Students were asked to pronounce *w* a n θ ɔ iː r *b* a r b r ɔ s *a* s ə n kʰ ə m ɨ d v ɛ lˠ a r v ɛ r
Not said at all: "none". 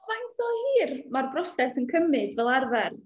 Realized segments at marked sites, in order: v, m, ɛ

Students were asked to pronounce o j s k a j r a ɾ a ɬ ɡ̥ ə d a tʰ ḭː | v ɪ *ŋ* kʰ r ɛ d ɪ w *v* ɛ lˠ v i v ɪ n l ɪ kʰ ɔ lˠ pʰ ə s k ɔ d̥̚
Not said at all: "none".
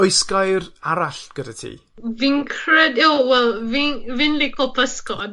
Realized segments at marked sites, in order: ŋ, w

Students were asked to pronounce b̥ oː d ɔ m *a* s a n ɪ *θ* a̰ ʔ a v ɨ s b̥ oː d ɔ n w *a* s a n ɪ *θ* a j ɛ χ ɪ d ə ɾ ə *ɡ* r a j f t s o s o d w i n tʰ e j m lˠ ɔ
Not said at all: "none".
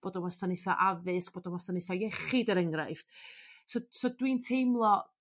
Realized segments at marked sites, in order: a, θ, a, θ, ŋ

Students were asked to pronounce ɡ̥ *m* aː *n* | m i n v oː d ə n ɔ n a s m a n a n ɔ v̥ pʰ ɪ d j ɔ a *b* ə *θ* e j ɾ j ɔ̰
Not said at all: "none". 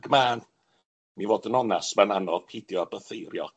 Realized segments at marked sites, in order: m, n, b, θ

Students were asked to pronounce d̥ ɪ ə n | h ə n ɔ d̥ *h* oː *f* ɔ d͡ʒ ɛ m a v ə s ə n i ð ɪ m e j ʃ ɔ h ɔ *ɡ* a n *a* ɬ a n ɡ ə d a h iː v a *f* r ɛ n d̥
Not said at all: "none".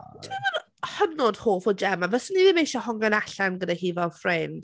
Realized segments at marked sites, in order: h, f, ŋ, a, f

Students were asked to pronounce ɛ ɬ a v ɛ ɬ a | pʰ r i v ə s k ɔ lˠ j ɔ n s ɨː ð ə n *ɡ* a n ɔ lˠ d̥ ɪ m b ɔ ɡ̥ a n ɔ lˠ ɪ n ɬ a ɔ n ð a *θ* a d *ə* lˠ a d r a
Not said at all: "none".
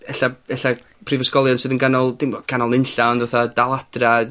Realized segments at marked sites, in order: ɡ, θ, a

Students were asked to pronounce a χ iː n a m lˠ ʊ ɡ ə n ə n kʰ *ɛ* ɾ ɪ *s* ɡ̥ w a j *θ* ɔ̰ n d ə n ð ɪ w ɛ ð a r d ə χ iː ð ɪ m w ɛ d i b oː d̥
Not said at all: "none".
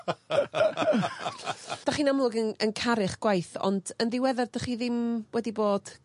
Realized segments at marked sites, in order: a, χ, θ

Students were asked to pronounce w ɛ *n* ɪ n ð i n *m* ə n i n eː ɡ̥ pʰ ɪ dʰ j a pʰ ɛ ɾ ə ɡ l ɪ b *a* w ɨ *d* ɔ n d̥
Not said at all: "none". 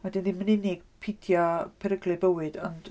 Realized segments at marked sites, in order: d, m, ə, d

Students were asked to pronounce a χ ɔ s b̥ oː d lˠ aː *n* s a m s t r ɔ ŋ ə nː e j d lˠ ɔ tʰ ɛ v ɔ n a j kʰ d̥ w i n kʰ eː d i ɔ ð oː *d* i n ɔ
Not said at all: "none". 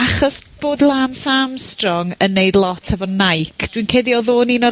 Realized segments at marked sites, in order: n, n

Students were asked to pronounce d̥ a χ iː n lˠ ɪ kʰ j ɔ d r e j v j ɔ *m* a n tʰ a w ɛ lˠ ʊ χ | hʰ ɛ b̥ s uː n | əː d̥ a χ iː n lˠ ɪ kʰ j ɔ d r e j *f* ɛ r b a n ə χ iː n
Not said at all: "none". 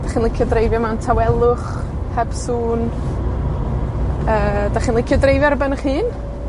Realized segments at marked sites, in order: m, v

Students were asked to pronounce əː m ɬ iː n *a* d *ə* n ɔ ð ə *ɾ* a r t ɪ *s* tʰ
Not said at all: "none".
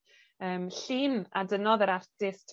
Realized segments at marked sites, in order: a, ə, ɾ, s

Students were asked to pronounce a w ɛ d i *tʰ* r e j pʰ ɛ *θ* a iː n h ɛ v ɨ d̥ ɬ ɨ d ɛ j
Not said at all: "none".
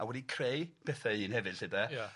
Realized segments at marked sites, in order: kʰ, θ

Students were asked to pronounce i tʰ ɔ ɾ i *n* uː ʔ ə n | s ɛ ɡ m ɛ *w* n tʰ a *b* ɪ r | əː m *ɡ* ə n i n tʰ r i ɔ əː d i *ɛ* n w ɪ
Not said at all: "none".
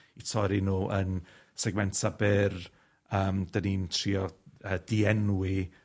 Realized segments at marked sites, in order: n, none, b, d, ɛ

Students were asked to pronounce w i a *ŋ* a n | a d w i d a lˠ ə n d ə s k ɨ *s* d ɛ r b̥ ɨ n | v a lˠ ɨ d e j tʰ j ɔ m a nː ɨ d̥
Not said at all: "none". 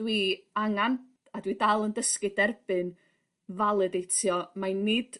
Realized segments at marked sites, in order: ŋ, none

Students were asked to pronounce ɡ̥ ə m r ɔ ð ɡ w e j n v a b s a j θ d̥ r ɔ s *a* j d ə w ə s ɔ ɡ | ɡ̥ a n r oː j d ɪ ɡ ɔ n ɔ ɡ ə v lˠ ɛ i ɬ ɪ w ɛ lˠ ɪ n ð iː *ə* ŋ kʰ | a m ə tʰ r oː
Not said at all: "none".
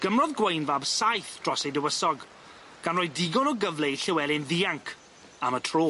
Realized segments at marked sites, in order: e, a

